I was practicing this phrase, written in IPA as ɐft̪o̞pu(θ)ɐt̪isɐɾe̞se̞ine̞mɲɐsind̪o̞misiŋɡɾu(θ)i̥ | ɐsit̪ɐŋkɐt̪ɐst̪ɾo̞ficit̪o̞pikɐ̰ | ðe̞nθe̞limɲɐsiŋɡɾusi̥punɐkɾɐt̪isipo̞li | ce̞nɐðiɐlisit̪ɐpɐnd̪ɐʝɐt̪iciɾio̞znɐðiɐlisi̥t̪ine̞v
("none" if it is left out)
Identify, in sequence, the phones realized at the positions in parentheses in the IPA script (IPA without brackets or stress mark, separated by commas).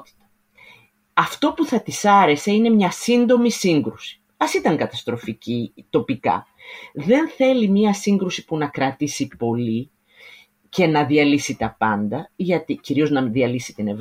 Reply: θ, s